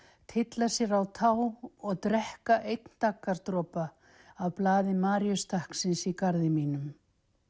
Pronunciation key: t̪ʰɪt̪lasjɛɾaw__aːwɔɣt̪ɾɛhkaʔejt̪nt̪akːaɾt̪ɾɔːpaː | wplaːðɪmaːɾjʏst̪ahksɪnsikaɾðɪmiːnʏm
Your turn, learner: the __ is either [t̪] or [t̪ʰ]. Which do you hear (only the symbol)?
t̪ʰ